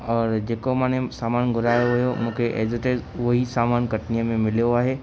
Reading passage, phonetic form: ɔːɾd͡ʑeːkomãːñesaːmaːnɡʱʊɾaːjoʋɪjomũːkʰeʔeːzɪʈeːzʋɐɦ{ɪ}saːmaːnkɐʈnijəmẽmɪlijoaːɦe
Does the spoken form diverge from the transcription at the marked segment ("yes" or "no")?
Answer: yes